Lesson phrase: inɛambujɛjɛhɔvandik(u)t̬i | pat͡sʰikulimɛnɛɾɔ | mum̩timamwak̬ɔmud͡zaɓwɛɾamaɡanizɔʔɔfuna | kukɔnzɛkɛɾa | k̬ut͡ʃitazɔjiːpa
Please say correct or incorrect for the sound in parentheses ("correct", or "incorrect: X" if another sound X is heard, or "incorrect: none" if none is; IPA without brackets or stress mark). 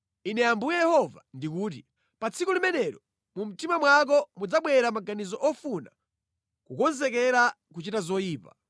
incorrect: uː